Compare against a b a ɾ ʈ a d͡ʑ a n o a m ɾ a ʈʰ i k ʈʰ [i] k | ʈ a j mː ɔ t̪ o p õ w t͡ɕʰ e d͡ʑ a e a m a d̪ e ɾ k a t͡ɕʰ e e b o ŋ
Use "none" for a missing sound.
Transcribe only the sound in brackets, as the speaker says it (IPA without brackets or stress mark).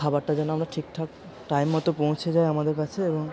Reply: a